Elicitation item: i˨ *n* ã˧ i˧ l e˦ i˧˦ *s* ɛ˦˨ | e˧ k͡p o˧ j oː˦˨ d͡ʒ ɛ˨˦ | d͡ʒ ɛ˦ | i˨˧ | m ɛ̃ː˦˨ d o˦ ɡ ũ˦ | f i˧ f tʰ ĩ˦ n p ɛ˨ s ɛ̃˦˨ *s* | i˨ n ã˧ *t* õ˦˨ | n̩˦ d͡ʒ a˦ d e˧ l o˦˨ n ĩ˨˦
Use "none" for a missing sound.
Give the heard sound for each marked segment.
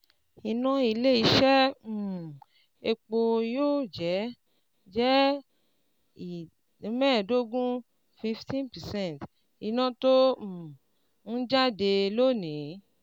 n, ʃ, t, t

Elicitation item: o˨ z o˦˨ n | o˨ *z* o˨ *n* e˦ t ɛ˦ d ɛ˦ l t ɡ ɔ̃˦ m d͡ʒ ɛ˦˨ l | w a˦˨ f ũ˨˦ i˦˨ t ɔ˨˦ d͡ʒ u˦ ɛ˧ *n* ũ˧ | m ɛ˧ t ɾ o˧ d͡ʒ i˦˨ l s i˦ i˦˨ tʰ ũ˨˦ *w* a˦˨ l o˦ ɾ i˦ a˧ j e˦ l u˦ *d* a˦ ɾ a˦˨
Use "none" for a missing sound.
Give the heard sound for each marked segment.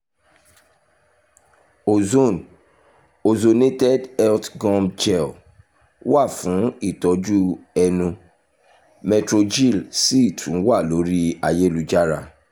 z, n, n, w, d͡ʒ

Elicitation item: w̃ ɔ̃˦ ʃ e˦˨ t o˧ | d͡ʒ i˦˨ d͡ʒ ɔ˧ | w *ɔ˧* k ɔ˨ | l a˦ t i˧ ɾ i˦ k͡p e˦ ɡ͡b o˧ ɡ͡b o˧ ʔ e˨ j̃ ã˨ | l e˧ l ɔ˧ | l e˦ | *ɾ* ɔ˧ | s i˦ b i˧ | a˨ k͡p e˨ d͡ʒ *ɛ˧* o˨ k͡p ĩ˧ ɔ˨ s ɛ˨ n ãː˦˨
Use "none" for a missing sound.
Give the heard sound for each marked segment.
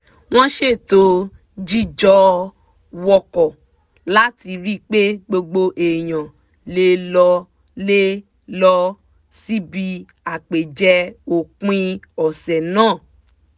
ɔ˧, l, ɛ˧

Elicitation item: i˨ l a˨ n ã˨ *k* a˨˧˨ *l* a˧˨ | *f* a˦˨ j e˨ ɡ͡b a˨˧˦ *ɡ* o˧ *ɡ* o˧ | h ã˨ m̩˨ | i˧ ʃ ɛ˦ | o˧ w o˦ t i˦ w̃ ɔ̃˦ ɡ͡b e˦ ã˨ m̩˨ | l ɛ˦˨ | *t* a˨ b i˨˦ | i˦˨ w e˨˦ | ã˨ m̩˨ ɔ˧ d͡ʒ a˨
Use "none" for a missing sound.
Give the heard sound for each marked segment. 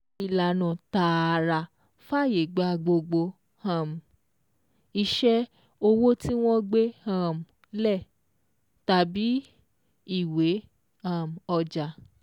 t, ɾ, f, ɡ͡b, ɡ͡b, t

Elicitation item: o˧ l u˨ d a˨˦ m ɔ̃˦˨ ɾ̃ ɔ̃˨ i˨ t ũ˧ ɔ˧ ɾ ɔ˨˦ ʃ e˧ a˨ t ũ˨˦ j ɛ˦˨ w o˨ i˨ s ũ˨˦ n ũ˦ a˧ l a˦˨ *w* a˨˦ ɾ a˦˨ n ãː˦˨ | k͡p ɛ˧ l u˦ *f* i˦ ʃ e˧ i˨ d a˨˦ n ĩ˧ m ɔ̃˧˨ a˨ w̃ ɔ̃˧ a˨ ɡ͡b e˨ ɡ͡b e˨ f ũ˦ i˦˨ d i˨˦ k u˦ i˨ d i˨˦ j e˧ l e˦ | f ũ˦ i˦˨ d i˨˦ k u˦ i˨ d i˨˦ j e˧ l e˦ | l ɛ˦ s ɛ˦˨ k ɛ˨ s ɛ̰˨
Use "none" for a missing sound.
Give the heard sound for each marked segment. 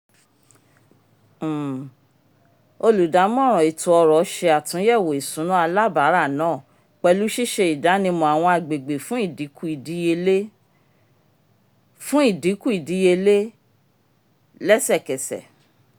b, ʃ

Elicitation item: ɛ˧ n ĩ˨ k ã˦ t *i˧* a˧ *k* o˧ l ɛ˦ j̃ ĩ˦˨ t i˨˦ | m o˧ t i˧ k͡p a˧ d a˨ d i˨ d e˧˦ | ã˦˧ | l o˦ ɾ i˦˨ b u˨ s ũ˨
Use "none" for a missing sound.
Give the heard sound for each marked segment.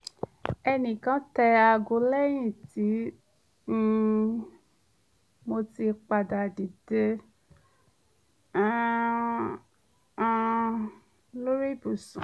ɛ˧, ɡ

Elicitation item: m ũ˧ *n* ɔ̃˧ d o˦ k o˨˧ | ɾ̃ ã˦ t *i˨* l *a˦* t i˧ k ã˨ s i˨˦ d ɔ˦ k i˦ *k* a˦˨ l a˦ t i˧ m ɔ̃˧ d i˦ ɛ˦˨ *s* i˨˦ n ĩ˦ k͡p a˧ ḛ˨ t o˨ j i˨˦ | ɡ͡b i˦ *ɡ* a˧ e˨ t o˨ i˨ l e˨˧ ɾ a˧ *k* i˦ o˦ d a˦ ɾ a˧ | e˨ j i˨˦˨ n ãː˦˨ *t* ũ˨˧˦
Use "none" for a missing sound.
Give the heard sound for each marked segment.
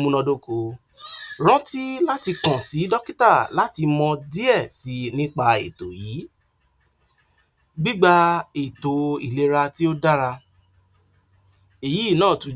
n, i˦, a˦, t, s, ɡ͡b, t, t

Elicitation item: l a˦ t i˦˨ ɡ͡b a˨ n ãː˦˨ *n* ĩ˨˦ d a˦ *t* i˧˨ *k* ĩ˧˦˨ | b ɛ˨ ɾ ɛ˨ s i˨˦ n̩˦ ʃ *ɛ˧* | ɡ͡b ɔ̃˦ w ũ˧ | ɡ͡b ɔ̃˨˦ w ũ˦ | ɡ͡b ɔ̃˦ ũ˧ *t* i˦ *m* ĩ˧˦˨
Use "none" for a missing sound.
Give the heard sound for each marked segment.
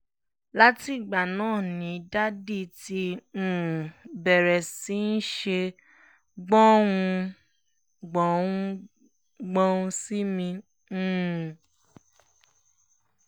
n, d, t, e˧, s, m

